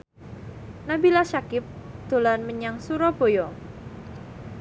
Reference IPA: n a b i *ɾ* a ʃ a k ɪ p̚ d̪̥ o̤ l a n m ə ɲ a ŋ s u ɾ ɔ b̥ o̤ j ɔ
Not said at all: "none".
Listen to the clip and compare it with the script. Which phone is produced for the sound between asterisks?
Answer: l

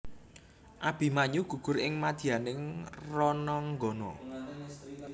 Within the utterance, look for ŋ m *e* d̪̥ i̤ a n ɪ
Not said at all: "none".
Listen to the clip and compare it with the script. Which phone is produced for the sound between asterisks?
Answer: a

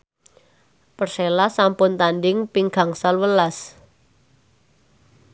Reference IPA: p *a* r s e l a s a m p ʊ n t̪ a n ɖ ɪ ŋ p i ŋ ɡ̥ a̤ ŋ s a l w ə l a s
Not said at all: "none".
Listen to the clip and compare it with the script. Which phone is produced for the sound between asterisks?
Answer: ə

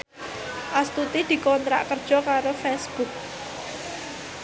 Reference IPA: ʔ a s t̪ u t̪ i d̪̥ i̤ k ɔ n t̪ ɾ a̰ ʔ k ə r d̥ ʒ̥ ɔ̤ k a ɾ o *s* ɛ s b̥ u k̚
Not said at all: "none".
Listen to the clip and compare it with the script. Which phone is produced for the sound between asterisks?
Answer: f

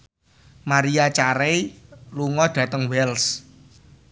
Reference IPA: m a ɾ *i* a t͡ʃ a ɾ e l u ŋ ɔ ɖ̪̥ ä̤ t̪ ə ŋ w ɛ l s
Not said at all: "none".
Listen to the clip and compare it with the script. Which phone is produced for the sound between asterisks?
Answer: i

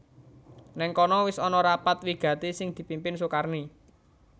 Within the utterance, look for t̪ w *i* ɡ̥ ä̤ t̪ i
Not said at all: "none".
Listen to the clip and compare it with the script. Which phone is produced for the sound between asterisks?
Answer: i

